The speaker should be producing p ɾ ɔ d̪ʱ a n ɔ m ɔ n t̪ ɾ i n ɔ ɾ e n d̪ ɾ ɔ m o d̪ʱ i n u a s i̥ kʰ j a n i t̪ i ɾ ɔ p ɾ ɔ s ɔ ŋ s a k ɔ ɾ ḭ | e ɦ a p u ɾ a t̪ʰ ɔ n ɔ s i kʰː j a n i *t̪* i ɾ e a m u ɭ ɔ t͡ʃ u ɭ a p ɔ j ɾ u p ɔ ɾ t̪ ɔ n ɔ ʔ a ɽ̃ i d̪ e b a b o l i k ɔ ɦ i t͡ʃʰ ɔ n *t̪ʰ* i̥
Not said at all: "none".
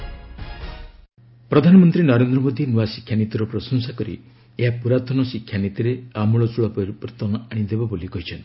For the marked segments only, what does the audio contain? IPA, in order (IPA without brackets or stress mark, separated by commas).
t̪, t̪